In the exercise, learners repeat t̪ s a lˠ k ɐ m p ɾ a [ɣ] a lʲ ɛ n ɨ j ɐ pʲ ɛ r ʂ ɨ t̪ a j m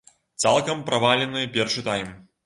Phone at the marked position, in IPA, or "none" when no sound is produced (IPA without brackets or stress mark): v